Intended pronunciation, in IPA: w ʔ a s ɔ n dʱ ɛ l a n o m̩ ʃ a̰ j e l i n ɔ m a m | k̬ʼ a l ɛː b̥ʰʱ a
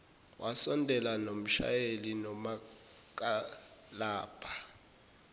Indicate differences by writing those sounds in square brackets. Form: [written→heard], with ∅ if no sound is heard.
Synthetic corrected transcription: w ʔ a s ɔ n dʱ ɛ l a n o m̩ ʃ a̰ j e l i n ɔ m a [m→∅] | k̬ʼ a l [ɛː→aː] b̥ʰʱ a